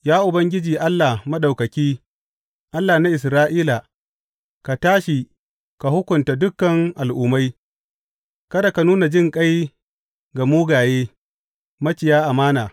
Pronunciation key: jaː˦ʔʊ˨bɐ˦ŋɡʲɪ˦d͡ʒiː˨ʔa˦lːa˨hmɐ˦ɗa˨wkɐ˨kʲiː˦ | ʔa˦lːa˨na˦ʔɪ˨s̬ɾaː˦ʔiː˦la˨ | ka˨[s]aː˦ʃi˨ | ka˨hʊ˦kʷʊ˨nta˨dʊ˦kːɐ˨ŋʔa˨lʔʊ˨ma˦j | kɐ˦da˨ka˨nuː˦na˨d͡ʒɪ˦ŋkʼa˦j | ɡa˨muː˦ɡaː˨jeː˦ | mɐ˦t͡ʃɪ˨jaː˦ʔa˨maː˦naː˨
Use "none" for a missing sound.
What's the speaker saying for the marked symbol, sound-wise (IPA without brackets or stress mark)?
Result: t